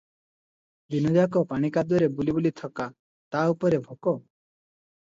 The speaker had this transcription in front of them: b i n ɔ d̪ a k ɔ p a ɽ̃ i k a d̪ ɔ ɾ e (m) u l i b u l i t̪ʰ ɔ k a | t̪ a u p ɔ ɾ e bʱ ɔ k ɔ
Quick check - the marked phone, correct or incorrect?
incorrect